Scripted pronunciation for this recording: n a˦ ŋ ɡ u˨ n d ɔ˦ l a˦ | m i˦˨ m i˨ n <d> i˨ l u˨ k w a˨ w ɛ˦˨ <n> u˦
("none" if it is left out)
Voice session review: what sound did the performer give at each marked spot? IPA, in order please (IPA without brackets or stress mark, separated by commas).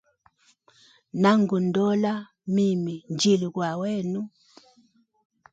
d͡ʒ, n